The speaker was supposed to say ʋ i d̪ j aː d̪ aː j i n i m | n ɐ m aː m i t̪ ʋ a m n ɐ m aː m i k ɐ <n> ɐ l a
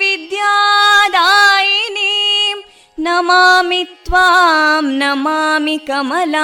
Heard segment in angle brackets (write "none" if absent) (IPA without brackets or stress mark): m